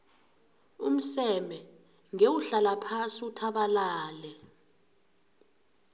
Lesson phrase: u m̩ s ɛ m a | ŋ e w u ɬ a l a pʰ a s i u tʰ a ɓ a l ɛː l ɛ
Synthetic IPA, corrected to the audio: u m̩ s ɛ m ɛ | ŋ e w u ɬ a l a pʰ a s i u tʰ a ɓ a l aː l ɛ